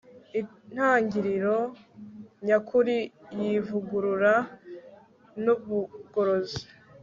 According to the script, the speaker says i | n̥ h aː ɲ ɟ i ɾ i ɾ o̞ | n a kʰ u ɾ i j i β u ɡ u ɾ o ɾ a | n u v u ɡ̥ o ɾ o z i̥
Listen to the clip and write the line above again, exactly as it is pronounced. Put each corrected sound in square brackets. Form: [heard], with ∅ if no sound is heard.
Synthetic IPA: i | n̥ h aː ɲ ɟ i ɾ i ɾ o̞ | [ɲ] a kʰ u ɾ i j i [v] u ɡ u ɾ [u] ɾ a | n u [β] u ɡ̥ o ɾ o z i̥